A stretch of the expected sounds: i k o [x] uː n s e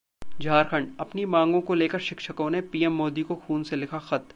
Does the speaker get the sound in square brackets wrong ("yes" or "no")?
no